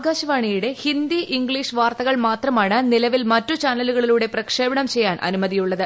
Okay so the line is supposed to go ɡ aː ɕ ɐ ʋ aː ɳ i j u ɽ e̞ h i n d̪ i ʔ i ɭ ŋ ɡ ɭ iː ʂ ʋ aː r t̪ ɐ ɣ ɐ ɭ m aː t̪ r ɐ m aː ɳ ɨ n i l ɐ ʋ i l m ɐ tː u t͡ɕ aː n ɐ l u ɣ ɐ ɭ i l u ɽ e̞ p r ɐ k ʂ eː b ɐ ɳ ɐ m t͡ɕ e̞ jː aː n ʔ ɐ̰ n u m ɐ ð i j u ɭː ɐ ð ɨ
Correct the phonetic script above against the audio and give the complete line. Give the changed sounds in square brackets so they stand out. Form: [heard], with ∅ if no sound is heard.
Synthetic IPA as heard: ɡ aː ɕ ɐ ʋ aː ɳ i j u ɽ e̞ h i n d̪ i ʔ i [∅] ŋ ɡ ɭ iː ʂ ʋ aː r t̪ ɐ ɣ ɐ ɭ m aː t̪ r ɐ m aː ɳ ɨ n i l ɐ ʋ i l m ɐ tː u t͡ɕ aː n ɐ l u ɣ ɐ ɭ i l [uː] ɽ e̞ p r ɐ k ʂ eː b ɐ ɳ ɐ m t͡ɕ e̞ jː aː n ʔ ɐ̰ n u m ɐ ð i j u ɭː ɐ ð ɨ